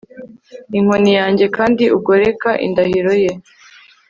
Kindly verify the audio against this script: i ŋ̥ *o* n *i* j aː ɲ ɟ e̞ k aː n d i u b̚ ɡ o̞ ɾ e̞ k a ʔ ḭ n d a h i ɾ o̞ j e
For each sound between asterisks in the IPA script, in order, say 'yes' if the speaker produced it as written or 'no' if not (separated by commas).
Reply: yes, yes